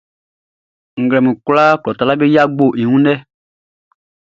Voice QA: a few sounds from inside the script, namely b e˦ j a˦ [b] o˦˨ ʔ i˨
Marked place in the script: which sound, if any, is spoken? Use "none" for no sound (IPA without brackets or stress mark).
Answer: ɡ͡b